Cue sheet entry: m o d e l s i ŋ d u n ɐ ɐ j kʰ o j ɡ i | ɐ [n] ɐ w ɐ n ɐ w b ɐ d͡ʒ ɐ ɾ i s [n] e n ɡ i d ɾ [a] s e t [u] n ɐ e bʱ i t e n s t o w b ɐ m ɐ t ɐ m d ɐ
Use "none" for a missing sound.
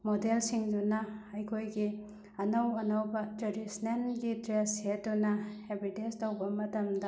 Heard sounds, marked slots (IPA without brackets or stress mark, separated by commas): n, n, e, u